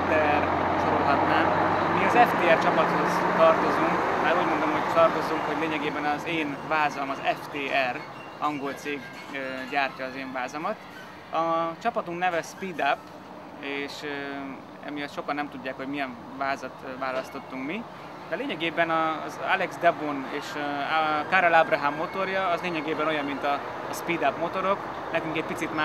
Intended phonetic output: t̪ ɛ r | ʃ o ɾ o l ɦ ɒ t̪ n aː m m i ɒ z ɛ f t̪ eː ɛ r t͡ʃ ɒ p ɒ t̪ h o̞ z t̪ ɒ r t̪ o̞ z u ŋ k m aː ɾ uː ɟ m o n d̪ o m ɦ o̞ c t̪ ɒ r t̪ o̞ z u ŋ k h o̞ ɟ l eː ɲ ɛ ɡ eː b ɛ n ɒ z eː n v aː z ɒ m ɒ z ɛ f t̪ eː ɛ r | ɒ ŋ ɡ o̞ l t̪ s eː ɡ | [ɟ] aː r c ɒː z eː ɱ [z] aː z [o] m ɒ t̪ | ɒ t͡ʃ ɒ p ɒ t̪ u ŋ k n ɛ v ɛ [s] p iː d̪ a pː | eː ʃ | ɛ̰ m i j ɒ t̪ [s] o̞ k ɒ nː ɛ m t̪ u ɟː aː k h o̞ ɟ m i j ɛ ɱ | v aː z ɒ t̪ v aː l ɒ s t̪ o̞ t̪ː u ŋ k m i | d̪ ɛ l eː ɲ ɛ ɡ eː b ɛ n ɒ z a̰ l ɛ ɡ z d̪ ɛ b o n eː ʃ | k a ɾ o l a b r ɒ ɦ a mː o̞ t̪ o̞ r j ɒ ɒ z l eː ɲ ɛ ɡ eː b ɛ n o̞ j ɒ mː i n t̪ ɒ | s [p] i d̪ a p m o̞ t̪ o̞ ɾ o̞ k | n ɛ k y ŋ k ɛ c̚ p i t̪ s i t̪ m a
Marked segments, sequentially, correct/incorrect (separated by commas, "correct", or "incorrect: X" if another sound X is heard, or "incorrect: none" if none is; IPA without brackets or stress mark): correct, incorrect: v, incorrect: ɒ, correct, incorrect: ʃ, correct